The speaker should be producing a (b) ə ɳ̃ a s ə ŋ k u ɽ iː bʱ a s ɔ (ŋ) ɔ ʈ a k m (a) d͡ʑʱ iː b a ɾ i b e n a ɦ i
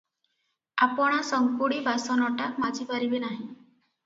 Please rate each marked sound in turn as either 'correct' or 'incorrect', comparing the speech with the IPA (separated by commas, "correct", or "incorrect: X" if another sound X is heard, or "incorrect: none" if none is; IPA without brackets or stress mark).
incorrect: p, incorrect: n, correct